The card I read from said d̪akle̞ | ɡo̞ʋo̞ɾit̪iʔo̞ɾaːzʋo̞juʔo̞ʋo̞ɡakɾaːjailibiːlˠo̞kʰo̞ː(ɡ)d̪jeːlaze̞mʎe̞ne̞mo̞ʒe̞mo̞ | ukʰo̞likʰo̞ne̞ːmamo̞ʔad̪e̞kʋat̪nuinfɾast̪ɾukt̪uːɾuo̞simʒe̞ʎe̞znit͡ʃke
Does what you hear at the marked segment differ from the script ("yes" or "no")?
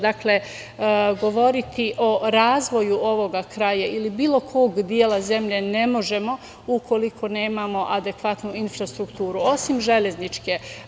no